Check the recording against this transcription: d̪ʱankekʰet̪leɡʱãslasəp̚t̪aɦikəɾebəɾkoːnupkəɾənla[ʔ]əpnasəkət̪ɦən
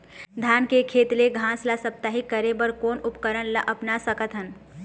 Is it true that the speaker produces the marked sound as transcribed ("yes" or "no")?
yes